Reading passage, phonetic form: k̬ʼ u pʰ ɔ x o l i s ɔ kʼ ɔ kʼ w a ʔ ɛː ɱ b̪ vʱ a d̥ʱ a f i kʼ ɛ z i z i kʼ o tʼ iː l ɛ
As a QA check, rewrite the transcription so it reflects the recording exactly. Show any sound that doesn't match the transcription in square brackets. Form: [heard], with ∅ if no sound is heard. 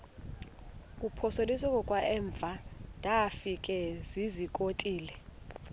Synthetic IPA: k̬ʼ u pʰ ɔ [s] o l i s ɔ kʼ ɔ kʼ w a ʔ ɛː ɱ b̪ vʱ a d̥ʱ a f i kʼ ɛ z i z i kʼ o tʼ iː l ɛ